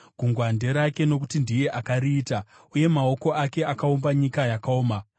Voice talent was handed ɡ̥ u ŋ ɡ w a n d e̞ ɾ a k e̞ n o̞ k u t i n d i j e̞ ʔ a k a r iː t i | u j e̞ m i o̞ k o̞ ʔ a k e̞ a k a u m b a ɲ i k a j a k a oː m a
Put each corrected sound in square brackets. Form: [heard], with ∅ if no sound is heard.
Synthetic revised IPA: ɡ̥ u ŋ ɡ w a n d e̞ ɾ a k e̞ n o̞ k u t i n d i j e̞ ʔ a k a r iː t [a] | u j e̞ m [a] o̞ k o̞ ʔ a k e̞ a k a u m b a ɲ i k a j a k a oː m a